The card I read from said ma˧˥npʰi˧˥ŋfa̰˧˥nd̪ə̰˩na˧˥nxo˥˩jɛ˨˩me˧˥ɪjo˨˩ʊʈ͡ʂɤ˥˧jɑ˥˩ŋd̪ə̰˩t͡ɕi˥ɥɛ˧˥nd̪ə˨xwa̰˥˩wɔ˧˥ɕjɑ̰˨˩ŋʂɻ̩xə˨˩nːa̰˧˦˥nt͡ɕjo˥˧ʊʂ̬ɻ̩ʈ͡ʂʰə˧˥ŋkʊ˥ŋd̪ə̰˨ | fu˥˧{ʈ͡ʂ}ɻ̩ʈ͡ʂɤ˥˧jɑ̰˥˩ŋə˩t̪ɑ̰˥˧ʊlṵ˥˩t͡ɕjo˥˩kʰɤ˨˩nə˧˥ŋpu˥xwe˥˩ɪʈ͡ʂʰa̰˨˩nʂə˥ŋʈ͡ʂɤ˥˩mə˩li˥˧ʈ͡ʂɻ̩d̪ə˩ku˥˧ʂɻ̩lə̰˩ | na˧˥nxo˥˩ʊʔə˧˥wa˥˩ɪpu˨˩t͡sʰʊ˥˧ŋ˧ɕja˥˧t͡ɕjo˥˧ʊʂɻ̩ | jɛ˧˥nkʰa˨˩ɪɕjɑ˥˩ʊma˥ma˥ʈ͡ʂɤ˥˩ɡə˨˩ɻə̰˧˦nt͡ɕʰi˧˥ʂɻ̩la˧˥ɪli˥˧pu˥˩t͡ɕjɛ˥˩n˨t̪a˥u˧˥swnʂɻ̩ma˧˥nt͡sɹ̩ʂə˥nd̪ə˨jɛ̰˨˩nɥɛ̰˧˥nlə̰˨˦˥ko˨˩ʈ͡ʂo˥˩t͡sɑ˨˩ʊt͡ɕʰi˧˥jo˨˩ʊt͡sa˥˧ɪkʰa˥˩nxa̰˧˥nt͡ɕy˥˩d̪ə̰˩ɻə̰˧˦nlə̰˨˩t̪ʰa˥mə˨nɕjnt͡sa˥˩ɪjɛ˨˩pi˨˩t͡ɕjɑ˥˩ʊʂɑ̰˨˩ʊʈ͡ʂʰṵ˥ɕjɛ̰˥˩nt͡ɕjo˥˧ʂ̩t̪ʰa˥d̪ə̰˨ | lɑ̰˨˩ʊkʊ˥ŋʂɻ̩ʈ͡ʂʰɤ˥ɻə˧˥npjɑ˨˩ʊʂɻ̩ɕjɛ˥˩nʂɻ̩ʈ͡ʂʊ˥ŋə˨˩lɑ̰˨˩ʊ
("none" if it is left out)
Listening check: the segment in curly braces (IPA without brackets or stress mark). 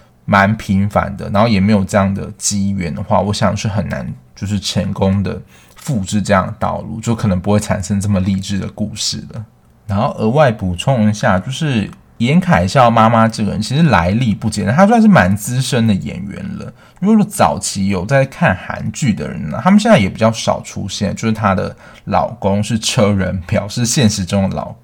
ʈ͡ʂ